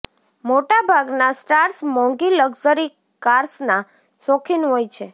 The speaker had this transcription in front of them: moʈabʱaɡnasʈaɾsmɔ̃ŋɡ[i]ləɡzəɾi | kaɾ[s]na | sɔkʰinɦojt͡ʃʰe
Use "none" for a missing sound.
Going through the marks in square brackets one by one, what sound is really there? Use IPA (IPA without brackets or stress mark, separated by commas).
i, s